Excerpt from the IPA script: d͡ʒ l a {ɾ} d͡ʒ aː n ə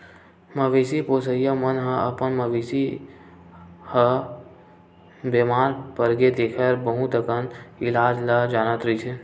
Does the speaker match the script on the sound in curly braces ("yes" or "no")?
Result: no